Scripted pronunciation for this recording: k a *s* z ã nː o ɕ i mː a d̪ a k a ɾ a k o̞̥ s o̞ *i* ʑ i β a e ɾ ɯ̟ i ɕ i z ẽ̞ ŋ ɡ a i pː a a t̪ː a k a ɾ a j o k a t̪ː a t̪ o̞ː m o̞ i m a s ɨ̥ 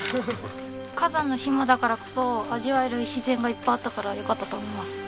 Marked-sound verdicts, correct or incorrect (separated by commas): incorrect, incorrect